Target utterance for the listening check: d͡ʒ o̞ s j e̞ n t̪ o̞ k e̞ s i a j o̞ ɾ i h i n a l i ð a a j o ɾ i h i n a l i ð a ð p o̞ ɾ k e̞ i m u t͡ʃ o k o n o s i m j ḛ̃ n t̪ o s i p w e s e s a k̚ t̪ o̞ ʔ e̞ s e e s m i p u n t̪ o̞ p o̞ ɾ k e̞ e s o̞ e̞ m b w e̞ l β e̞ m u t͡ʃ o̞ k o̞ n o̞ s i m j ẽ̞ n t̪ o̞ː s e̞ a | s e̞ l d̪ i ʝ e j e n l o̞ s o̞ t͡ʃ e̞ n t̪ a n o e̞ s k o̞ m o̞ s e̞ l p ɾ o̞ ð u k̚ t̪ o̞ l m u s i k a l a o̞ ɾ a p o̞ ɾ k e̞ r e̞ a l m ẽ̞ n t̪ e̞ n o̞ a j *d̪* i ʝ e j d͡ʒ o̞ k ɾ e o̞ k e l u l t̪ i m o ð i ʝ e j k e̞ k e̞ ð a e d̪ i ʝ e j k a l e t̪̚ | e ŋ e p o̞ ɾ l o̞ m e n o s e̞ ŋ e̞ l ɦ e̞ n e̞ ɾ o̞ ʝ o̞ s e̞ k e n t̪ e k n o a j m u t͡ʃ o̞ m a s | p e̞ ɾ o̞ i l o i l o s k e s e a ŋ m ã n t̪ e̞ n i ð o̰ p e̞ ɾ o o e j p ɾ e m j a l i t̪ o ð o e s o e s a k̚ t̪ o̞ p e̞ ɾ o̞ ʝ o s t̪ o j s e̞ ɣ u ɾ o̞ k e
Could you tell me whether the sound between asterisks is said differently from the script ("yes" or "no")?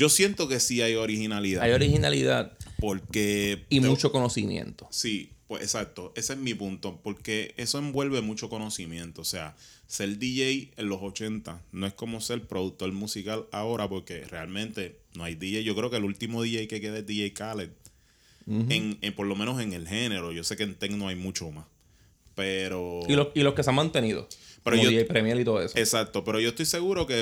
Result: no